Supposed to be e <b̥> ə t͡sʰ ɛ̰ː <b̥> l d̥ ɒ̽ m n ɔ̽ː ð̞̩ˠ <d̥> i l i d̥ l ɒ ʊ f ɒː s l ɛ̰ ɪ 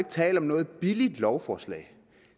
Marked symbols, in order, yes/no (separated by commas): no, no, no